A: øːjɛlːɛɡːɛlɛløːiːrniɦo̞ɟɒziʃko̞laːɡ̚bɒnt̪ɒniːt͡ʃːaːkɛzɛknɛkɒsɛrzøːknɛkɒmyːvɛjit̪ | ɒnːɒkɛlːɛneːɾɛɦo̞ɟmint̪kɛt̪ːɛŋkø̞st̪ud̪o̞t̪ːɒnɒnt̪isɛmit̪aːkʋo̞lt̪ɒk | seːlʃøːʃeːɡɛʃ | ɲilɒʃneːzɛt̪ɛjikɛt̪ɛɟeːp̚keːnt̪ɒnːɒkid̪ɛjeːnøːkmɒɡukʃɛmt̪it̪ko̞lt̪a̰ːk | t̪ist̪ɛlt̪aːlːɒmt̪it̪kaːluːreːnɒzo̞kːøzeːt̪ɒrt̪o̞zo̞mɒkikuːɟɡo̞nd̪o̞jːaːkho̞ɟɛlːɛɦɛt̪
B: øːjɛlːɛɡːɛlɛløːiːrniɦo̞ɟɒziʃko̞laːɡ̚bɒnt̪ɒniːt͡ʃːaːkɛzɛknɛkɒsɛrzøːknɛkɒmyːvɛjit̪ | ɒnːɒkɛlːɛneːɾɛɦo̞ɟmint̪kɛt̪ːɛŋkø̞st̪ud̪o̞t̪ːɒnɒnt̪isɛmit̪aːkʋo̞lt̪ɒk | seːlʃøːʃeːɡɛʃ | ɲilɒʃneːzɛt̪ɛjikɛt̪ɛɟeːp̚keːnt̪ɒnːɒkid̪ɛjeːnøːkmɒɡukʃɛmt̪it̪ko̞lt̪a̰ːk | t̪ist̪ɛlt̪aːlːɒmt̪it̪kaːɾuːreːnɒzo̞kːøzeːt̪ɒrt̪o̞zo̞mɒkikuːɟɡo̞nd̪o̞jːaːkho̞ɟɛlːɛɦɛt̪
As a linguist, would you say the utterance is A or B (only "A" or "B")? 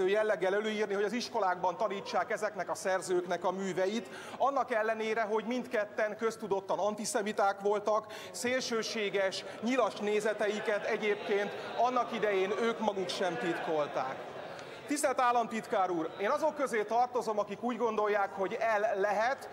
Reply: B